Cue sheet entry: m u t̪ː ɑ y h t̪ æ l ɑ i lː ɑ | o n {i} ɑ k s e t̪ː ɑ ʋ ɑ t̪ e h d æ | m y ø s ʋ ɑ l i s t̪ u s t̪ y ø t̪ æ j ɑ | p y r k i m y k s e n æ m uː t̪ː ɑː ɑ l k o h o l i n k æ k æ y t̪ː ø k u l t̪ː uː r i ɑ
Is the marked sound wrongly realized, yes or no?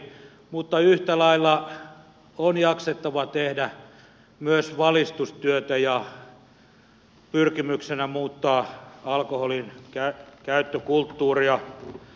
yes